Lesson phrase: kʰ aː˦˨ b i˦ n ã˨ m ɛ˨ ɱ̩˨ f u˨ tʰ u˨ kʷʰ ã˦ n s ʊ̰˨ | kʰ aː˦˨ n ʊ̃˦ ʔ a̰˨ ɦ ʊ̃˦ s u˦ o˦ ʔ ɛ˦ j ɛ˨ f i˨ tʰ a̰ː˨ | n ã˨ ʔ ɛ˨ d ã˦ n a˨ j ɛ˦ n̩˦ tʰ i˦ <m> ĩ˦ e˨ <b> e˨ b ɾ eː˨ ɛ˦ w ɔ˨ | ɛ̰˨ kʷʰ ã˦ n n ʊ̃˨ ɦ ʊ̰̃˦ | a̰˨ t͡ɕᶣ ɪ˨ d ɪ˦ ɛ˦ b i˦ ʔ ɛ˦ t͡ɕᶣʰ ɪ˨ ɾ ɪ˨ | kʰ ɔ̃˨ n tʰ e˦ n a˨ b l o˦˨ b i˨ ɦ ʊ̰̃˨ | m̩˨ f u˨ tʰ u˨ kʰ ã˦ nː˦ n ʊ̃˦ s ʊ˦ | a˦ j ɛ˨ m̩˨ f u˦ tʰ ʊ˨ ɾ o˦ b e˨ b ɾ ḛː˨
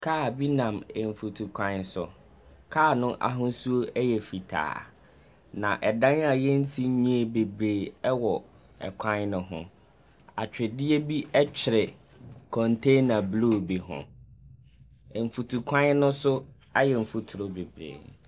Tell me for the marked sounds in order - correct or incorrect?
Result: incorrect: ɲ, correct

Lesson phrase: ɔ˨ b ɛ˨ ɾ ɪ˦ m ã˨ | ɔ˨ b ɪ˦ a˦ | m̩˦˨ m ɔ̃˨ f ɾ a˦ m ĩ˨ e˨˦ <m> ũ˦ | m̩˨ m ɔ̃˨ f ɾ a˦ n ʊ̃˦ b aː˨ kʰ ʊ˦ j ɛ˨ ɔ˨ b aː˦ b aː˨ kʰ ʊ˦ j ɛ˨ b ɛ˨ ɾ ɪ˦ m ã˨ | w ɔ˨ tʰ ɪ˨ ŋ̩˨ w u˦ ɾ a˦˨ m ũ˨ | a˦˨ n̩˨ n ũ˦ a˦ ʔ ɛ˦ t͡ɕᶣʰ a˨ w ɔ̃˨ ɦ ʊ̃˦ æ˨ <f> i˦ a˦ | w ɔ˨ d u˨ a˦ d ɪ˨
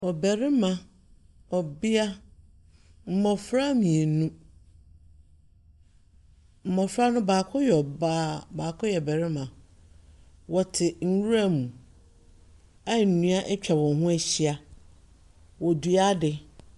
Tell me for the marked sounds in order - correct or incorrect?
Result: incorrect: n, incorrect: ɕ

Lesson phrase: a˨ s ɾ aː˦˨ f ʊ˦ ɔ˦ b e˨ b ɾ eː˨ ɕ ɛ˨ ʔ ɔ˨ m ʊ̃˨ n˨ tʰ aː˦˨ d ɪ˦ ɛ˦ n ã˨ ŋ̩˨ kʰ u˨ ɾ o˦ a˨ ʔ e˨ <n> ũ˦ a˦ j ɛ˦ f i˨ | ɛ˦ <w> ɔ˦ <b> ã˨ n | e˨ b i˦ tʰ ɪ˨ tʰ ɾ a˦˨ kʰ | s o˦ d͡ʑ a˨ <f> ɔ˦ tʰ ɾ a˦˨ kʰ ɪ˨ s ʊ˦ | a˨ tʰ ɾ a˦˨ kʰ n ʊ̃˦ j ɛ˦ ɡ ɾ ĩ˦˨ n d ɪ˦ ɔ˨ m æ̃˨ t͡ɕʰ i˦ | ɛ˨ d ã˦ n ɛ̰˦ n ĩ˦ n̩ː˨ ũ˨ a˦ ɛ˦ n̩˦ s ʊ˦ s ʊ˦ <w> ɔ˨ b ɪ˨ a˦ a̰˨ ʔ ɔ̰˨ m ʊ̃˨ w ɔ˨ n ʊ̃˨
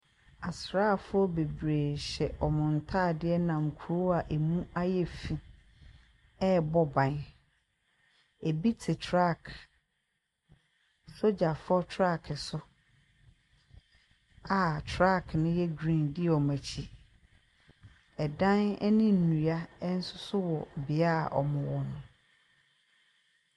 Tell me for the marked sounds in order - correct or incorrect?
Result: incorrect: m, incorrect: b, correct, correct, correct

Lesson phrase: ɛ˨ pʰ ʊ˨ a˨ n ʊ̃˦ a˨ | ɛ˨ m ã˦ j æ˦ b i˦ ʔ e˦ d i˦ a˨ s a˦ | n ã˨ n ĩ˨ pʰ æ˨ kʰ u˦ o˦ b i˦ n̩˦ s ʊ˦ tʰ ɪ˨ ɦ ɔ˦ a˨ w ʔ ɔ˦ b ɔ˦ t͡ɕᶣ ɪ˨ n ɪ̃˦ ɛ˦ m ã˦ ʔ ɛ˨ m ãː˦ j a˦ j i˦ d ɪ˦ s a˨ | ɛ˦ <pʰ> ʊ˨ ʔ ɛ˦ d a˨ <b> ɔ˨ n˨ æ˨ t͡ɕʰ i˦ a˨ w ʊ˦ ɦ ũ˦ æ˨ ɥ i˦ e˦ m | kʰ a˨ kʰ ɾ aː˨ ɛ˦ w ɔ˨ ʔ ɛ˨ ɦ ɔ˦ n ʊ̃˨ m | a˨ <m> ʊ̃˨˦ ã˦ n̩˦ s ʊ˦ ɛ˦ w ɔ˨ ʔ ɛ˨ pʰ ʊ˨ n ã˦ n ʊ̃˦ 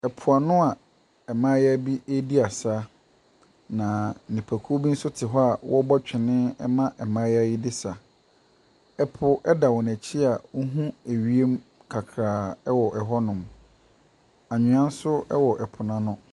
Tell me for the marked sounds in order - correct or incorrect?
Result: correct, incorrect: w, incorrect: ɲ

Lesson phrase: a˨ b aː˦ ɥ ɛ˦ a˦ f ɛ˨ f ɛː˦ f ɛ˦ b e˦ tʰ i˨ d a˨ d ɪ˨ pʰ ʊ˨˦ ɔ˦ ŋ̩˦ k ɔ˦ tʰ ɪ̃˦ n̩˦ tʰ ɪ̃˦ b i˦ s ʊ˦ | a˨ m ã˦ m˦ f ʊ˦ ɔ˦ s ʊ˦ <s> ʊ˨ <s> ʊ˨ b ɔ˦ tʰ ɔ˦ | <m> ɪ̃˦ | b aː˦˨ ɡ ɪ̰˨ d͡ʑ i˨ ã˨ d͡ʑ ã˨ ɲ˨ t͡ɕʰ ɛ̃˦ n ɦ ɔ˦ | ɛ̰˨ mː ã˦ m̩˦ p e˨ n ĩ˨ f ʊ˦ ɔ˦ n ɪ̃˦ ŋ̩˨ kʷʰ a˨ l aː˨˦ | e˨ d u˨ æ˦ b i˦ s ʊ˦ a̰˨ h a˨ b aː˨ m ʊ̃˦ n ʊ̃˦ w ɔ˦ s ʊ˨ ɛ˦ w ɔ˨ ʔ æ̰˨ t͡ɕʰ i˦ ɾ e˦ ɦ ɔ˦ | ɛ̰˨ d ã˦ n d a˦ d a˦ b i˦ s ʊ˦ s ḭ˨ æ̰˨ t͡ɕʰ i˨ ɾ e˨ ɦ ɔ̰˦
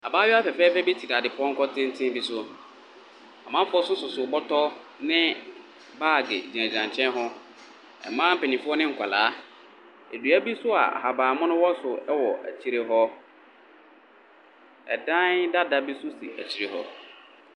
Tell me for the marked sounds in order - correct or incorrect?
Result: correct, correct, incorrect: n

